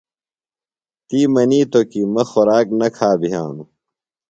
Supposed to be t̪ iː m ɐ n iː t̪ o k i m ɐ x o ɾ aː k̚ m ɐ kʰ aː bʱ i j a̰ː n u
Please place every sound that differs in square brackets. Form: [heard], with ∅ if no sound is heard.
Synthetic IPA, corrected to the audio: t̪ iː m ɐ n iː t̪ o k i m ɐ x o ɾ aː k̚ [n] ɐ kʰ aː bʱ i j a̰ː n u